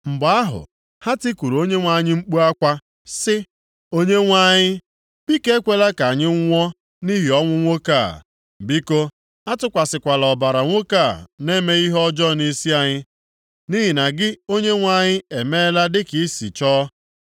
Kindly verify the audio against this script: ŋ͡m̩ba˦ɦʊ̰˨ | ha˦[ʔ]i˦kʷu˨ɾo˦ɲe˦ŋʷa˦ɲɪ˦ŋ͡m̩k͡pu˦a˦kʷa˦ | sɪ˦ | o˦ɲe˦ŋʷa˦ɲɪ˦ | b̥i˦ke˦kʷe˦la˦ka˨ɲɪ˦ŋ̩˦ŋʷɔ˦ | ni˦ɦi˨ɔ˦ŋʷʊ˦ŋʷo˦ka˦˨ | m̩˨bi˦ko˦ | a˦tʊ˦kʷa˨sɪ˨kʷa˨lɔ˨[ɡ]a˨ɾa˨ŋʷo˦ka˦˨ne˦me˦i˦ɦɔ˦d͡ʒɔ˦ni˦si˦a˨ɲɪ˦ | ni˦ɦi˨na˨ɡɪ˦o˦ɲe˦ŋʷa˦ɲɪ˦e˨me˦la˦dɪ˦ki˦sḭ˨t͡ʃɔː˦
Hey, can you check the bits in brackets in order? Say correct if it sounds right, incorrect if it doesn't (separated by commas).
incorrect, incorrect